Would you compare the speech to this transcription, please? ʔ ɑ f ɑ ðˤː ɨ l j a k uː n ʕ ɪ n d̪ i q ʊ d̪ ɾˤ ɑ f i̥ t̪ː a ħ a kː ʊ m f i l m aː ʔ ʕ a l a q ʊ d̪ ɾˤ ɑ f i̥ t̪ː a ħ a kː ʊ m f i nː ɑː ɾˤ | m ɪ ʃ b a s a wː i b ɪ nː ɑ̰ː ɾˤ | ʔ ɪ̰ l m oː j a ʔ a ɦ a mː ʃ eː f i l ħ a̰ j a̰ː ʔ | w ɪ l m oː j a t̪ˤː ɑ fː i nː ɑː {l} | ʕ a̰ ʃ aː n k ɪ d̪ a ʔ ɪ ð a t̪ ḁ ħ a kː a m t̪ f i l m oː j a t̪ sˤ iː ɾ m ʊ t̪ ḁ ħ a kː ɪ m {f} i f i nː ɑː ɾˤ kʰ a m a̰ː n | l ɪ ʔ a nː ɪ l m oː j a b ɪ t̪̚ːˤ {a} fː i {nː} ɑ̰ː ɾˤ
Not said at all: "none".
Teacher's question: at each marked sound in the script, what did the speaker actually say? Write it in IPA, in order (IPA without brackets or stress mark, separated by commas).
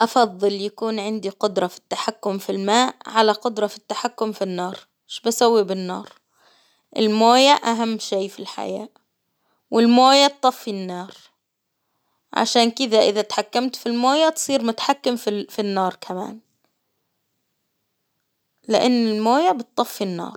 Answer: ɾ, f, ɑ, nː